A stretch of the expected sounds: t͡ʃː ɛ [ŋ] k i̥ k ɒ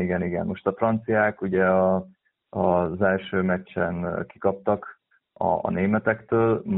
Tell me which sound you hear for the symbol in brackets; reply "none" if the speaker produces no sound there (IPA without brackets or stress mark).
n